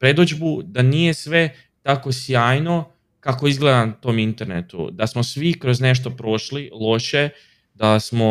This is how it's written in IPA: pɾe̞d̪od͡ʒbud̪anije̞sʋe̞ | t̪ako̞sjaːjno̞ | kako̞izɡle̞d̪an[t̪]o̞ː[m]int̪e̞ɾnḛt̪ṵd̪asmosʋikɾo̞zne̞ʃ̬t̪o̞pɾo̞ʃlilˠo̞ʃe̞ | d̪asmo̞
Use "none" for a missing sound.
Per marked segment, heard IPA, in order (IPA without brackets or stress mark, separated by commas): t̪, m